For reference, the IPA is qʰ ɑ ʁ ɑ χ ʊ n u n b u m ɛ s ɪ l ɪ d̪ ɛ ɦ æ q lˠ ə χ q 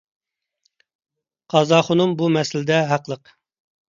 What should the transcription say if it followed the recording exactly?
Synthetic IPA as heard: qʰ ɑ z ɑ χ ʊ n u m b u m ɛ s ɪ l ɪ d̪ ɛ ɦ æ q lˠ ə q